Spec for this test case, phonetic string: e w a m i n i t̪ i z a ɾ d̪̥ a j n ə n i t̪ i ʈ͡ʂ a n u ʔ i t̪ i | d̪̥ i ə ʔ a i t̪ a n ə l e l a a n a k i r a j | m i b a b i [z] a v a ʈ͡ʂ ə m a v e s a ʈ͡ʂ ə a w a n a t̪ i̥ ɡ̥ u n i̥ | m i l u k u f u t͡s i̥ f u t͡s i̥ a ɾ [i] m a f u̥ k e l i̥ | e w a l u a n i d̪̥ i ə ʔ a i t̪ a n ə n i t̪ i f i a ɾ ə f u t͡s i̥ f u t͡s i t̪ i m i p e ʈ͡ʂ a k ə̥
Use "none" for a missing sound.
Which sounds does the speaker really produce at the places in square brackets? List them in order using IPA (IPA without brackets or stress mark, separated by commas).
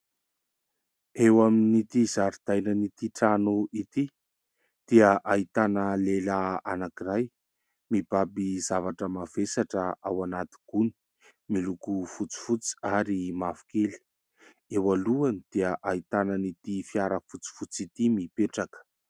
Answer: z, i